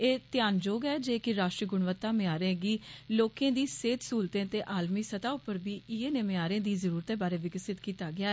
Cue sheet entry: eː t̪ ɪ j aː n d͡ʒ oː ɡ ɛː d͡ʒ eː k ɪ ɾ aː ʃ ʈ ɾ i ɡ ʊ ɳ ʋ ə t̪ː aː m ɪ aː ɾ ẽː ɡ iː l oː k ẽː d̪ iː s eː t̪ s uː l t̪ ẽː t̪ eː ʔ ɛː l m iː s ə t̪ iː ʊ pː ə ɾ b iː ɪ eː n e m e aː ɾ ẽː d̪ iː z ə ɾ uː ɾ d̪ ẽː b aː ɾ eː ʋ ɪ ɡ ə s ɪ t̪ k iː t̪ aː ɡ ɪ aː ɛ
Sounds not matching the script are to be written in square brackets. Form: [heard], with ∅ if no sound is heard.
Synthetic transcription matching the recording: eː t̪ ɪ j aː n d͡ʒ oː ɡ ɛː d͡ʒ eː k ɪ ɾ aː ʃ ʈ ɾ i ɡ ʊ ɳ ʋ ə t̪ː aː m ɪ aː ɾ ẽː ɡ iː l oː k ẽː d̪ iː s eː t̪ s uː l t̪ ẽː t̪ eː ʔ [aː] l m iː s ə t̪ [aː] ʊ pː ə ɾ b iː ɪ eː n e m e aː ɾ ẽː d̪ iː z ə ɾ uː ɾ [t̪] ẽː b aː ɾ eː ʋ ɪ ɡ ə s ɪ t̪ k iː t̪ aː ɡ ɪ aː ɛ